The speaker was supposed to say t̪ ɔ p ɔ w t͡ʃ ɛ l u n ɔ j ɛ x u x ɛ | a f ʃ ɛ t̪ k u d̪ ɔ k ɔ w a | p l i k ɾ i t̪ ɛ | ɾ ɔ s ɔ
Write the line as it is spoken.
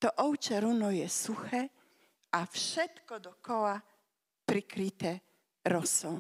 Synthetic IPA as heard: t̪ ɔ ʔ ɔ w t͡ʃ ɛ ɾ u n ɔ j ɛ s u x ɛ | a f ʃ ɛ t̪ k ɔ d̪ ɔ k ɔ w a | p ɾ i k ɾ i t̪ ɛ | ɾ ɔ s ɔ